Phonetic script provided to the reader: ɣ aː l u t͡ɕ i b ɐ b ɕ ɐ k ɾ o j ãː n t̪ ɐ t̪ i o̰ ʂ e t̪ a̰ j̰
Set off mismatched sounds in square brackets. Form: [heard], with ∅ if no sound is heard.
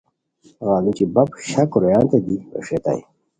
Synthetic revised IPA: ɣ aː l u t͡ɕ i b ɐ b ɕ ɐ k ɾ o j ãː n t̪ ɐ [d̪] i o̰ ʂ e t̪ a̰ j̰